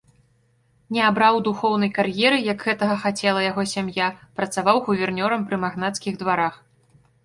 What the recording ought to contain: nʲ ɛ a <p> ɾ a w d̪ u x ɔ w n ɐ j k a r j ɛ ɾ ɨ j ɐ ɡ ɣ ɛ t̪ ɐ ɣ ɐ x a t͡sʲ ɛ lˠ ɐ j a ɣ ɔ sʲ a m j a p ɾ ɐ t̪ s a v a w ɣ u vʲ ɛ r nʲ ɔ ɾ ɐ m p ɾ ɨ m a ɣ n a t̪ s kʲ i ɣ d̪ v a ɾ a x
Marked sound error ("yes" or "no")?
yes